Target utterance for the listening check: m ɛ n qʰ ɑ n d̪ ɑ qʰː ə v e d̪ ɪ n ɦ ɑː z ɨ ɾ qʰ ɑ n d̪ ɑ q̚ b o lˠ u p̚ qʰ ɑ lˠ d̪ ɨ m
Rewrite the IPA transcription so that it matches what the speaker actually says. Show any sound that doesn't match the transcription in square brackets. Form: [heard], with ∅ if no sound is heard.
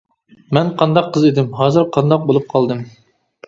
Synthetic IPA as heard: m ɛ n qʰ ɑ n d̪ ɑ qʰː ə [z] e d̪ ɪ [m] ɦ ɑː z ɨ ɾ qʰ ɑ n d̪ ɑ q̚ b o lˠ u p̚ qʰ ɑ lˠ d̪ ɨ m